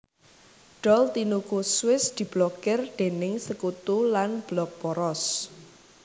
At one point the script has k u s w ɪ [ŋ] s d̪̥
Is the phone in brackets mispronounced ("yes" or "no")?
yes